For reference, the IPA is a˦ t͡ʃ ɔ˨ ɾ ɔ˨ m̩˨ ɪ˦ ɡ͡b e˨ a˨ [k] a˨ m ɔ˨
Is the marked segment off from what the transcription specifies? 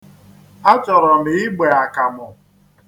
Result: no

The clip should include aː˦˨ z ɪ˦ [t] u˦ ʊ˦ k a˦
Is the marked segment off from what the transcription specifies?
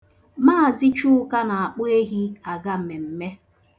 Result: yes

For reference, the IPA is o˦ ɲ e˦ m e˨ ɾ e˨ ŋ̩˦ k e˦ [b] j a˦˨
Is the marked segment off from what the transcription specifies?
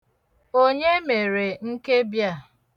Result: no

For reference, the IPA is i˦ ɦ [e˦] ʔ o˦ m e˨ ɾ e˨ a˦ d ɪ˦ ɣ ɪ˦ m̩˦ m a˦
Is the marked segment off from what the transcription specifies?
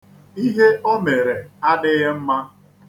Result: no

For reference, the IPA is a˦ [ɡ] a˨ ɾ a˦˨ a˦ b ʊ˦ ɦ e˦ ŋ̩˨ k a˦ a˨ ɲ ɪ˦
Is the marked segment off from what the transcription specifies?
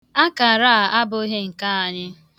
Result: yes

